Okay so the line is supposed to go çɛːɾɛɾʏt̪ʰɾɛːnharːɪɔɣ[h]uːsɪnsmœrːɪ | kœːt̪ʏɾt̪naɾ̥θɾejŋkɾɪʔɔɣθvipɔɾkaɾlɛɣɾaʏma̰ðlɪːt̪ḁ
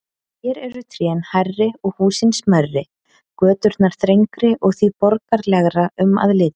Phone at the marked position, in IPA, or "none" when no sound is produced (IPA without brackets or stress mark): h